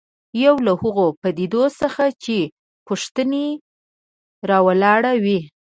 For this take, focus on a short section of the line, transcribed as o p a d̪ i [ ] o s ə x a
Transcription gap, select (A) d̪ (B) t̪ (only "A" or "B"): A